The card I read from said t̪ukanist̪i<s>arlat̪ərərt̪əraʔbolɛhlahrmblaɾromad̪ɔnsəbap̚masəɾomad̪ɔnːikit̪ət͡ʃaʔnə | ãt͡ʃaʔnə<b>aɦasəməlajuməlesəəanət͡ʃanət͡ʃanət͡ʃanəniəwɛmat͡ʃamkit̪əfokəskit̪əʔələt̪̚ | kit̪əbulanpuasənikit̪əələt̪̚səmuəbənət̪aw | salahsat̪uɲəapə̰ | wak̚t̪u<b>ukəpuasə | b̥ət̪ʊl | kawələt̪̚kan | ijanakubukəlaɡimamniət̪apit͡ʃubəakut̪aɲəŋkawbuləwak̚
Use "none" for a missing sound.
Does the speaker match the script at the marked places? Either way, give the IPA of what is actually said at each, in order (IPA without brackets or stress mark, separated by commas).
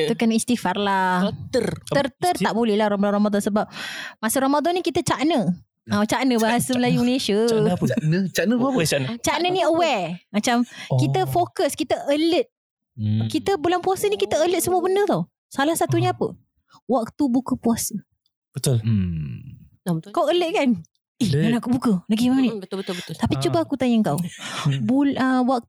f, b, b